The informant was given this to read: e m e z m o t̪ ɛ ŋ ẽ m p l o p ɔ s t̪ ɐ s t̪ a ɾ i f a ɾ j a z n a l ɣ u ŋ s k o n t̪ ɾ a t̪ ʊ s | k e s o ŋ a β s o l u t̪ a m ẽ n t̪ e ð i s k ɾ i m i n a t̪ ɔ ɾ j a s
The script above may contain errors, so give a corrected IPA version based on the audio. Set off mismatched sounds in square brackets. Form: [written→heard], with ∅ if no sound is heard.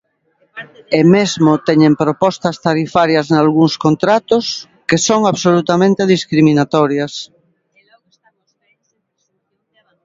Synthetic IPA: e m e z m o t̪ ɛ [ŋ→ɲ] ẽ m p [l→ɾ] o p ɔ s t̪ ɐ s t̪ a ɾ i f a ɾ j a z n a l ɣ u ŋ s k o n t̪ ɾ a t̪ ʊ s | k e s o ŋ a β s o l u t̪ a m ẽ n t̪ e ð i s k ɾ i m i n a t̪ ɔ ɾ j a s